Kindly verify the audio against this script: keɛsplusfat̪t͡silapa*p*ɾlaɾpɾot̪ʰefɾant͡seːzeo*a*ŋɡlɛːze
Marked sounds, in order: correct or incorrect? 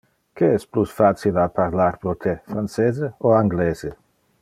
incorrect, correct

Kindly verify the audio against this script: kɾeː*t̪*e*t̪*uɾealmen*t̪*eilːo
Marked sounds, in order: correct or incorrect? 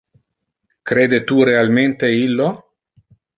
incorrect, correct, correct

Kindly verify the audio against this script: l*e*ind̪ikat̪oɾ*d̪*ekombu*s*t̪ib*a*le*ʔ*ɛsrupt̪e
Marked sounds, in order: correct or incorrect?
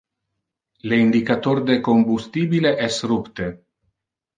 correct, correct, correct, incorrect, correct

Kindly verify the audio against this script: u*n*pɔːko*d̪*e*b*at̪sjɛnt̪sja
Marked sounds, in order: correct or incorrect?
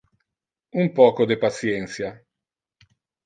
incorrect, correct, incorrect

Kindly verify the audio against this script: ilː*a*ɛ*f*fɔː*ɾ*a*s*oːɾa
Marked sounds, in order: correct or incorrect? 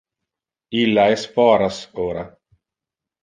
correct, incorrect, correct, correct

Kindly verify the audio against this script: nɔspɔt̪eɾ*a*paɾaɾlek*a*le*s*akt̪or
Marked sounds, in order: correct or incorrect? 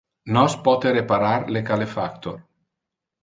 incorrect, correct, incorrect

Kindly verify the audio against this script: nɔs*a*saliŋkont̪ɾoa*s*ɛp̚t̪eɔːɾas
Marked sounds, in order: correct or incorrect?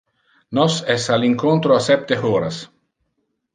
incorrect, correct

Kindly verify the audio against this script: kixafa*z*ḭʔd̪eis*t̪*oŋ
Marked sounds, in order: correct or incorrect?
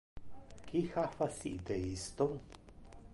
incorrect, correct

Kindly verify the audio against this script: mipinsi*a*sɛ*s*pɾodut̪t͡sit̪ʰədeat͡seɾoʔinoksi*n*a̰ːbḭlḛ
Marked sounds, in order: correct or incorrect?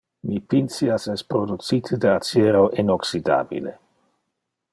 correct, correct, incorrect

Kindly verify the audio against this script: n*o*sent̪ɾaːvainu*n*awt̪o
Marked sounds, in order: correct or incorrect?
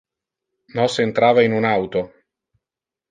incorrect, correct

